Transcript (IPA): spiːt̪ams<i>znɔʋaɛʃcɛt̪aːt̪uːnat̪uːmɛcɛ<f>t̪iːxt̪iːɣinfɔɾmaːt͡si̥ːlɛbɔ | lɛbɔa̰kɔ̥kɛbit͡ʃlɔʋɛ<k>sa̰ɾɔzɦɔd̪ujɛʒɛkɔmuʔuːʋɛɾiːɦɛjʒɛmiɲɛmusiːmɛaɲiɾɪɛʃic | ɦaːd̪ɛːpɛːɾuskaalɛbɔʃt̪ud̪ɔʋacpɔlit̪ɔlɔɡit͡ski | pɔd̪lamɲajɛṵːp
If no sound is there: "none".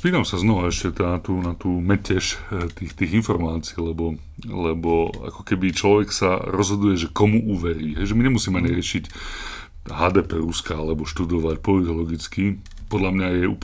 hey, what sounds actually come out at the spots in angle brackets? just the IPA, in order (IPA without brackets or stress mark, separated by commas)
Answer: a, ʃ, k